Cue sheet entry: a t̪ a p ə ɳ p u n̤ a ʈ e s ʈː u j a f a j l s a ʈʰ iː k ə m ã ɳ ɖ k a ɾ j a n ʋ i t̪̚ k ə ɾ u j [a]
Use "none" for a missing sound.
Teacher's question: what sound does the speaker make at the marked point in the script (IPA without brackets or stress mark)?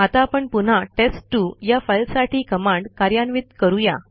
a